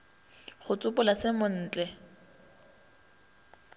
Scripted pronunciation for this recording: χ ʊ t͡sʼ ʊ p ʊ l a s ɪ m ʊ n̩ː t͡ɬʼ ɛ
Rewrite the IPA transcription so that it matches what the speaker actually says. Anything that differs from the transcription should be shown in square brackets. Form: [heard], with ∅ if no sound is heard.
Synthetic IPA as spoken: χ ʊ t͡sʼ ʊ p ʊ l a s ɪ m ʊ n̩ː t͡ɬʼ ɛ